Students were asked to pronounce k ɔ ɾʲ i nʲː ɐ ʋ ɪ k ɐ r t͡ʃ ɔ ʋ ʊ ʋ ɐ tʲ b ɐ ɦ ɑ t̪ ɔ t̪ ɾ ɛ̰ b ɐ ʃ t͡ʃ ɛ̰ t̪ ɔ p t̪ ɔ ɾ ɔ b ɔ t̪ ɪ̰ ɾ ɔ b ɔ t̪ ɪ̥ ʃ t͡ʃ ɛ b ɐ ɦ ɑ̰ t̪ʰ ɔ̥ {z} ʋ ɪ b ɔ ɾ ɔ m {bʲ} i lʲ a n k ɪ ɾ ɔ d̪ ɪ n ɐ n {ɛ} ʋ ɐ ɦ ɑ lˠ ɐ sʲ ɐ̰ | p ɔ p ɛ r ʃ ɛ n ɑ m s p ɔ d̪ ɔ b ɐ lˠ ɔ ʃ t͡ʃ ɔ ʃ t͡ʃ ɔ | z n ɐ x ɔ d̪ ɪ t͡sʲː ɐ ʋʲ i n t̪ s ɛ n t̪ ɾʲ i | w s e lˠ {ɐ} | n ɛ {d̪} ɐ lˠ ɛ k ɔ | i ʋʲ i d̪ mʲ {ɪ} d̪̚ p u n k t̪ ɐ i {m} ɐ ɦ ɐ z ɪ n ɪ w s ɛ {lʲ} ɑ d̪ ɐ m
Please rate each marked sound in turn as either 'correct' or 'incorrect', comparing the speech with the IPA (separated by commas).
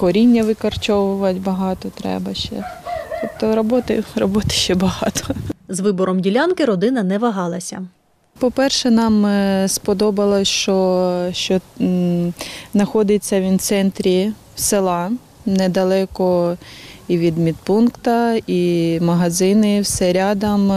correct, incorrect, correct, incorrect, correct, incorrect, correct, incorrect